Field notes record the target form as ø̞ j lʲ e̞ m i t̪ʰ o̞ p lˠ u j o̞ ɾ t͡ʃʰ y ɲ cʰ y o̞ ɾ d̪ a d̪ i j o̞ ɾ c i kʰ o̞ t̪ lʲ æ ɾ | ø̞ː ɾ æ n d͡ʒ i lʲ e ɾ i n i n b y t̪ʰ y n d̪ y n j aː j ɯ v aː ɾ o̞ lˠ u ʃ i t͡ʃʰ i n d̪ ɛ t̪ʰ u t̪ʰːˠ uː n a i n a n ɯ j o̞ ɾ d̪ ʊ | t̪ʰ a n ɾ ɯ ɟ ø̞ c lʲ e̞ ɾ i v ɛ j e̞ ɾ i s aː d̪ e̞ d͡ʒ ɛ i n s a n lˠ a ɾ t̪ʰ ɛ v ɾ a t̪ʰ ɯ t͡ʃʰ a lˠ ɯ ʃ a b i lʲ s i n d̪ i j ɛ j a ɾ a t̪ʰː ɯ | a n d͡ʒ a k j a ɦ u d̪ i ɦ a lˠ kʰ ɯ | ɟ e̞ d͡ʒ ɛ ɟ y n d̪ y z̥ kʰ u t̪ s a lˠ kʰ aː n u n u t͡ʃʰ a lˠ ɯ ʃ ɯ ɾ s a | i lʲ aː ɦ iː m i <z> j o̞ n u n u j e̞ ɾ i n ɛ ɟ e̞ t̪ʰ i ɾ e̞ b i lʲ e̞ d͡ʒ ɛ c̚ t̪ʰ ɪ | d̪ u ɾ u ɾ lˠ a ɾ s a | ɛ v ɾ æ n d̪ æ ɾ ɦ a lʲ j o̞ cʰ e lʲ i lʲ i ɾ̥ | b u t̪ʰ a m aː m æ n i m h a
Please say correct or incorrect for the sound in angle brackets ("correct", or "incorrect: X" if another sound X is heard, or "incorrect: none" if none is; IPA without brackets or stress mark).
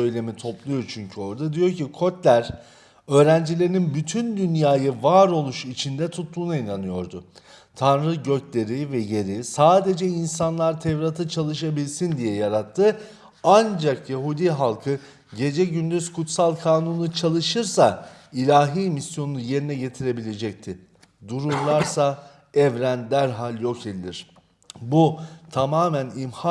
incorrect: s